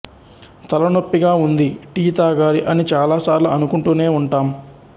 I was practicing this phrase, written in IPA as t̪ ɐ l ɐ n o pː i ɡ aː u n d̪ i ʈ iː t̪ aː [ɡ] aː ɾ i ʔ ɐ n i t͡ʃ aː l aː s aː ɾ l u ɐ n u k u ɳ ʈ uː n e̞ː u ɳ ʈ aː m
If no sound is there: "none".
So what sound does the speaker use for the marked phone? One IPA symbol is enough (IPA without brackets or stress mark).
ɡ